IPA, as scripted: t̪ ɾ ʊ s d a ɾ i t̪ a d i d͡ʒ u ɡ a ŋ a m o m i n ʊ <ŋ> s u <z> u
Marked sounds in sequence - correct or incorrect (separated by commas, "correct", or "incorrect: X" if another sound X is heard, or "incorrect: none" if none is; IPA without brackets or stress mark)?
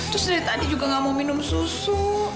incorrect: m, incorrect: s